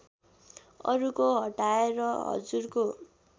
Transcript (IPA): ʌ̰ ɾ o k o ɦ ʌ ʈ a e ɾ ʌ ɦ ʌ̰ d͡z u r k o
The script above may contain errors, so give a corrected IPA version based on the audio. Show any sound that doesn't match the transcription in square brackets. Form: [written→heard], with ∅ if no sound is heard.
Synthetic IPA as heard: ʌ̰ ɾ [o→u] k o ɦ ʌ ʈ a e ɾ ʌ ɦ ʌ̰ d͡z u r k o